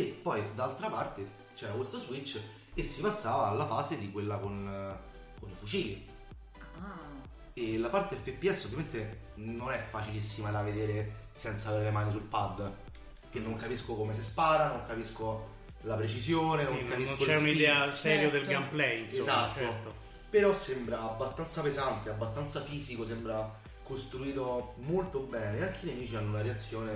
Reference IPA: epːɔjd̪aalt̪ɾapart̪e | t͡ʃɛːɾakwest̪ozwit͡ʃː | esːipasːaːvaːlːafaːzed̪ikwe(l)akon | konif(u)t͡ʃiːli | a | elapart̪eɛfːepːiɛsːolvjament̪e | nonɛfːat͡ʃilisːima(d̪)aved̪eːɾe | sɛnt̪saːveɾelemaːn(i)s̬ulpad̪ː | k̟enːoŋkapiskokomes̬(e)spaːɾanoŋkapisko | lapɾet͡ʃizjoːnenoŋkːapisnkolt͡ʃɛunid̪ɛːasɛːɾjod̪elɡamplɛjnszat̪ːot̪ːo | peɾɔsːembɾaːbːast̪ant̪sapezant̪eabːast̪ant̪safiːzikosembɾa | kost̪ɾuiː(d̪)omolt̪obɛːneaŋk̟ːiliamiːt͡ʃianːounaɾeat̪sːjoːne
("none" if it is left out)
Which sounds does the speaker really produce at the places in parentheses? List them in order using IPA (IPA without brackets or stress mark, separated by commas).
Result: lː, u, d̪, i, e, t̪